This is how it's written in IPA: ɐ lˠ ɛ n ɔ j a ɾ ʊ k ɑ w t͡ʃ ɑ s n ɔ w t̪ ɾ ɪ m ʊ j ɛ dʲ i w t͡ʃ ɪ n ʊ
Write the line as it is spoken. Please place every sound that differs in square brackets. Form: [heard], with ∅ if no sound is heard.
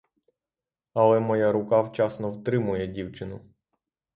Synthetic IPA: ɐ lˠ ɛ [m] ɔ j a ɾ ʊ k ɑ w t͡ʃ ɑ s n ɔ w t̪ ɾ ɪ m ʊ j ɛ dʲ i w t͡ʃ ɪ n ʊ